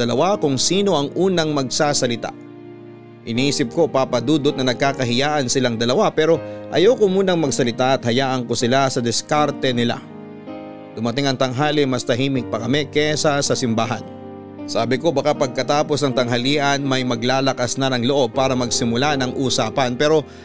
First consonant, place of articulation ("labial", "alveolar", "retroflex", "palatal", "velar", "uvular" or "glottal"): alveolar